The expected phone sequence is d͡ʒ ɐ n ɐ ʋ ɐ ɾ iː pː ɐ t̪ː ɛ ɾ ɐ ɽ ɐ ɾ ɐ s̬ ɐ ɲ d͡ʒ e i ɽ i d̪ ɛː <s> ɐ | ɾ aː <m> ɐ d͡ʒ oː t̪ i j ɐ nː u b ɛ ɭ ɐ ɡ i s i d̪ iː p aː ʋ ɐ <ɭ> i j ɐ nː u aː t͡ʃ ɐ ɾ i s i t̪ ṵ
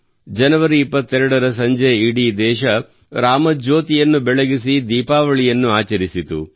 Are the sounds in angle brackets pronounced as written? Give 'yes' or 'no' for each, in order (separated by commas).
no, yes, yes